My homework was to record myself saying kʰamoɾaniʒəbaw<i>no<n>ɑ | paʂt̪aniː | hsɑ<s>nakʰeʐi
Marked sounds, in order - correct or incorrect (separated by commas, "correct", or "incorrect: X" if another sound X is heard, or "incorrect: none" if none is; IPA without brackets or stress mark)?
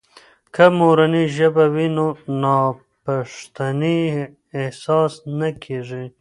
correct, correct, correct